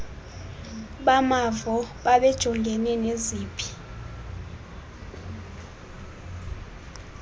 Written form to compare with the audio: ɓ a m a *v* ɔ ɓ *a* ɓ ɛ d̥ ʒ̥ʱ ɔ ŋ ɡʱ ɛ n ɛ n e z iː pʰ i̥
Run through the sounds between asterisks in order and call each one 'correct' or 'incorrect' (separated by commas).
correct, correct